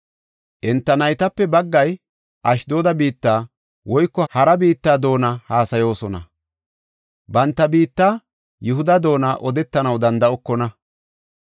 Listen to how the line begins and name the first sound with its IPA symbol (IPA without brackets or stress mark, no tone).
ʔ